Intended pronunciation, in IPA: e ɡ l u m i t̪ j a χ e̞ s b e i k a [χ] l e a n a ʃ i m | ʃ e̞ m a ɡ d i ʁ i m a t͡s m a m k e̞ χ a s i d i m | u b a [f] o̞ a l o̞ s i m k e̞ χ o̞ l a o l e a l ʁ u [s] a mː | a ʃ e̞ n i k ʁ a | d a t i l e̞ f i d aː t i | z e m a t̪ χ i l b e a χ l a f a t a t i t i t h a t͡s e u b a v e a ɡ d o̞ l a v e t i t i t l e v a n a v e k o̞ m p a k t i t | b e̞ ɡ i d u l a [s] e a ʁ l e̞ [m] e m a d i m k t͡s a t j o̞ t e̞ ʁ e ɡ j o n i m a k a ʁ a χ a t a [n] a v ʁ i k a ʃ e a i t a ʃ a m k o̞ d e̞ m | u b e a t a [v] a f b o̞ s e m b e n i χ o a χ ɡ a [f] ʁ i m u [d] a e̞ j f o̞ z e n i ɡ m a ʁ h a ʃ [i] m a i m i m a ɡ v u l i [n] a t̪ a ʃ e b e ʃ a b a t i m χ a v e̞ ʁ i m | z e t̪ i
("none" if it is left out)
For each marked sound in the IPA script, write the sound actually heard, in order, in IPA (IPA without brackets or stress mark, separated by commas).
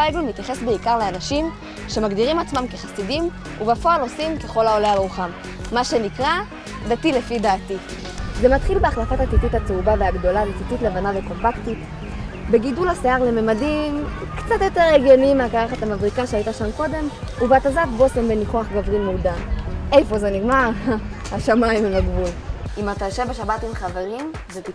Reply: ʁ, f, χ, s, m, m, z, v, d, a, m